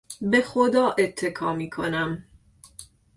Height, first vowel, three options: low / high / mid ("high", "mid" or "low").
mid